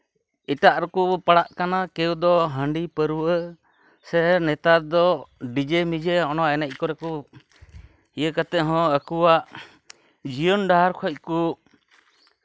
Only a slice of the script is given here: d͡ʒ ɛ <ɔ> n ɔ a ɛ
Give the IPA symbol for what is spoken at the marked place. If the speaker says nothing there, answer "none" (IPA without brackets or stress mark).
ɔ